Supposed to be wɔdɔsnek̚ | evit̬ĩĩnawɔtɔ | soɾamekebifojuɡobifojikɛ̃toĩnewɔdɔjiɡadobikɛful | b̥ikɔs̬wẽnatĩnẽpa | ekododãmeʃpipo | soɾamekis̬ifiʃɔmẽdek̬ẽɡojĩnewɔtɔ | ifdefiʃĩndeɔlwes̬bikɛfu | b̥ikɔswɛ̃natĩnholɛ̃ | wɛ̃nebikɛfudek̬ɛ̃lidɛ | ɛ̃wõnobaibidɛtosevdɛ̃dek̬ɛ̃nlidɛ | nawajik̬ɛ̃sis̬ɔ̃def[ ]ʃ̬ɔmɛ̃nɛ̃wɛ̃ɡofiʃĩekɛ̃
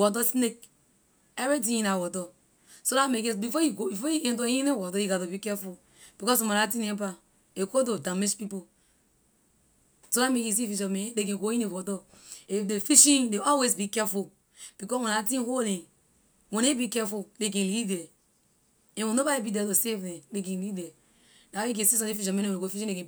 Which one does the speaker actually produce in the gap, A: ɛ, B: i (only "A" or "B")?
B